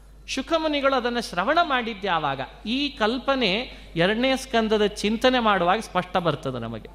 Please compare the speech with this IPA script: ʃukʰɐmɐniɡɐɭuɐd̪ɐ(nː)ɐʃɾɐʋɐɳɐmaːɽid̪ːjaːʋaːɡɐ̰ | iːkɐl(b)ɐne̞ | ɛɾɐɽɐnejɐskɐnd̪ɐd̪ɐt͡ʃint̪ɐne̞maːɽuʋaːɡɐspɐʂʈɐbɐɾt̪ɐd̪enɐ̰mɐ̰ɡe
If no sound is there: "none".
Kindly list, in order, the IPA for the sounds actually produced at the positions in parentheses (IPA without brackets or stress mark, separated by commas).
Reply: nː, p